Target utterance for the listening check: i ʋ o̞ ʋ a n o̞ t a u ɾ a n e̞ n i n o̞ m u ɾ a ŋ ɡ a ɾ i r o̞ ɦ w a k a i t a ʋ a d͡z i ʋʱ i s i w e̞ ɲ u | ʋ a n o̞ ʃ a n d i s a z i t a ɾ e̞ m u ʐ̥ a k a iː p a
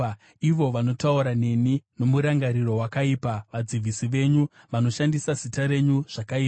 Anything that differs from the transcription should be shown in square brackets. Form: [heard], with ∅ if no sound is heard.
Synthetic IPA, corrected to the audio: i ʋ o̞ ʋ a n o̞ t a u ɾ a n e̞ n i n o̞ m u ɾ a ŋ ɡ a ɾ i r o̞ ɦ w a k a i [p] a ʋ a d͡z i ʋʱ i s i [ʋ] e̞ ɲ u | ʋ a n o̞ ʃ a n d i s a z i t a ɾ e̞ [ɲ] u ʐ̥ a k a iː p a